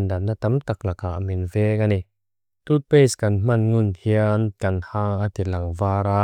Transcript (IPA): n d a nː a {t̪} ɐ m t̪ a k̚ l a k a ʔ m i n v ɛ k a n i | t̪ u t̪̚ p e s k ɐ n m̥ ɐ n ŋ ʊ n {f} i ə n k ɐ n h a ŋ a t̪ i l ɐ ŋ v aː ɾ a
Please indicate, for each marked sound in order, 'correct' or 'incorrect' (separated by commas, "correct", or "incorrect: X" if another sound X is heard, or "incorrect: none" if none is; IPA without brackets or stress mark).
correct, incorrect: h